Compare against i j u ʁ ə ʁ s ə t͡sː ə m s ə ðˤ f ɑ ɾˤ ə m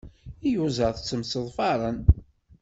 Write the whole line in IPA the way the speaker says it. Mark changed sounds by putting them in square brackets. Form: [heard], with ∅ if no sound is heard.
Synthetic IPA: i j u [z] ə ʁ [θ] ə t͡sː ə m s ə ðˤ f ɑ ɾˤ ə [n]